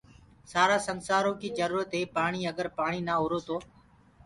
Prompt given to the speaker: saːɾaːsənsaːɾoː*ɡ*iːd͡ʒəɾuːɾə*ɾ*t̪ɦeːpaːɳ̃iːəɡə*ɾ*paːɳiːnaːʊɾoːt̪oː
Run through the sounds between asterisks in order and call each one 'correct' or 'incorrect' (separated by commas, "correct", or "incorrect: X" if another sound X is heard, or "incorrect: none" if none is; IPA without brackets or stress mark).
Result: incorrect: k, incorrect: none, correct